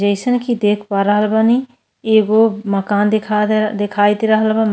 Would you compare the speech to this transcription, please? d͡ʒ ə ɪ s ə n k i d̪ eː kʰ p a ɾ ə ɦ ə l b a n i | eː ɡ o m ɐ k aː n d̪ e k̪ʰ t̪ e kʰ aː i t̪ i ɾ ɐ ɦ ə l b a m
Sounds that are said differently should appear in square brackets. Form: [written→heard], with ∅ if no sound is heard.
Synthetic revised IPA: d͡ʒ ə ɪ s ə n k i d̪ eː kʰ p a ɾ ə ɦ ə l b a n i | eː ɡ o m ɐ k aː n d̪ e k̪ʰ [t̪→d̪] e kʰ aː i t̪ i ɾ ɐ ɦ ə l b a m